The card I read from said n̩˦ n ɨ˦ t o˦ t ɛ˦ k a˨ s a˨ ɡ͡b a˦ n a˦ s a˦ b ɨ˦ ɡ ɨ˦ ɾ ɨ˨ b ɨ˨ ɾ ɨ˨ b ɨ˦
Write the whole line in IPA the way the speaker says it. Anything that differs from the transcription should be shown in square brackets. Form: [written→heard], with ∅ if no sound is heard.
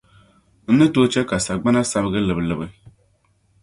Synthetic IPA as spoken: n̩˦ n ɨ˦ t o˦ [t→t͡ʃ] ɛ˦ k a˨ s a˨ ɡ͡b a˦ n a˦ s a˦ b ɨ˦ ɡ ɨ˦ [ɾ→l] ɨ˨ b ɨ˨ [ɾ→l] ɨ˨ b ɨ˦